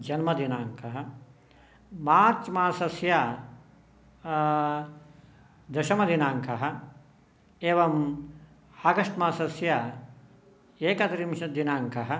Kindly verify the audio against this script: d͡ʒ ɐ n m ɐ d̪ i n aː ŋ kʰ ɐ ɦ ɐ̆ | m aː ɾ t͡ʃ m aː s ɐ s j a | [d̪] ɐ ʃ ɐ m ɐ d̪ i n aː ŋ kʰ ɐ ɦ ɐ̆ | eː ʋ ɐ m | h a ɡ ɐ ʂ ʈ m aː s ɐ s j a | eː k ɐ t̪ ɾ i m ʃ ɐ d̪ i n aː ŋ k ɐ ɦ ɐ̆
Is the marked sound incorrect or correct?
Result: correct